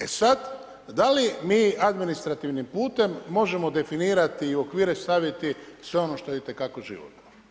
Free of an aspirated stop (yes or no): yes